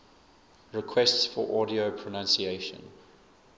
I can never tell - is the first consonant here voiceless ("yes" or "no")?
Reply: no